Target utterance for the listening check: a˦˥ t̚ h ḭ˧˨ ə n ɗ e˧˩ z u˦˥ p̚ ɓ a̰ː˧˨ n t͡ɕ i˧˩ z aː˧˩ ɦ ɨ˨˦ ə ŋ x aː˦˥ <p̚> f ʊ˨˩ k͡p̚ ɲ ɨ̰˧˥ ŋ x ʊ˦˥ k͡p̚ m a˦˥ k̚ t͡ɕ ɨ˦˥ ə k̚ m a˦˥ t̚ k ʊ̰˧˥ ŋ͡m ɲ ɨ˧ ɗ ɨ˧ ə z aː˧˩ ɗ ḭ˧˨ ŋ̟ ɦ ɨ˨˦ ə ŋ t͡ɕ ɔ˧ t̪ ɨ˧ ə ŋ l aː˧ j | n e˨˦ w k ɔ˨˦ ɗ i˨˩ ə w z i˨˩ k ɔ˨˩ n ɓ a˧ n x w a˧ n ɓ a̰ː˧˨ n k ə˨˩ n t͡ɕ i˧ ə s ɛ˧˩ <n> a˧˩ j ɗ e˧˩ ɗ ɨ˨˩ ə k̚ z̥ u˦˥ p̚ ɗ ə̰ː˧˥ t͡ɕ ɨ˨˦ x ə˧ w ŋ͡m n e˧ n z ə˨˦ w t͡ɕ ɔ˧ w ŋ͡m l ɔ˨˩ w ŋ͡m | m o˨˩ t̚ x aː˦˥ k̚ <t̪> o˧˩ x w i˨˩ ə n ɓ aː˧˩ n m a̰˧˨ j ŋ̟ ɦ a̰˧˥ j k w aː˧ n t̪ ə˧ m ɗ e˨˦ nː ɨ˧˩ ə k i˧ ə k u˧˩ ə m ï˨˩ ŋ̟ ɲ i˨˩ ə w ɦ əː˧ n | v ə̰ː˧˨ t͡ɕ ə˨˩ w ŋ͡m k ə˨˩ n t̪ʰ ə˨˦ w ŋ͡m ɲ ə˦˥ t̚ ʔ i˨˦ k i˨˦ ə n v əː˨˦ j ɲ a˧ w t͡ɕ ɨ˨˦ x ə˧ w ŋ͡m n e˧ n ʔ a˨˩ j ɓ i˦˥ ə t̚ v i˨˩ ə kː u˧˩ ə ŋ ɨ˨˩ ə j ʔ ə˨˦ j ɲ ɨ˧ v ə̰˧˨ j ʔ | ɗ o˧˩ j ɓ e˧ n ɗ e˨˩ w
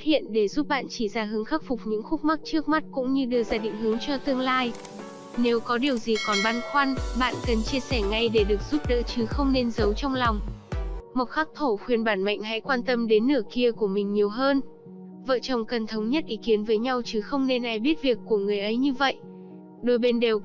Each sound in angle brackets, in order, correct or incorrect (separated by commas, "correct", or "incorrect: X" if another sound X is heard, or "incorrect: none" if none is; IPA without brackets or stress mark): incorrect: k̚, incorrect: ŋ, incorrect: t̪ʰ